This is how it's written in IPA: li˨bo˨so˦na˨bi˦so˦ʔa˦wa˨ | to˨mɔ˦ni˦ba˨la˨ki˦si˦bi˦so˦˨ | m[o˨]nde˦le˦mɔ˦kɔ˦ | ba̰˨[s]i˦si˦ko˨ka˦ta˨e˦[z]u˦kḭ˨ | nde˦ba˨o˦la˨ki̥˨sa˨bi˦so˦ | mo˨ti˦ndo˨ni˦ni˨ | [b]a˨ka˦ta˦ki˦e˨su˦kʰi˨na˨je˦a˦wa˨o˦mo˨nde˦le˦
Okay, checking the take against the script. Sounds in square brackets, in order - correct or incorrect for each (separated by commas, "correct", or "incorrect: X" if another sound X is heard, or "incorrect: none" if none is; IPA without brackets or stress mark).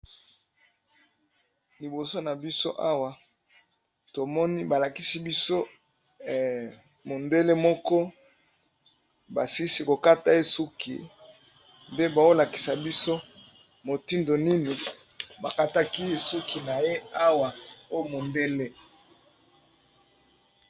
correct, correct, incorrect: s, correct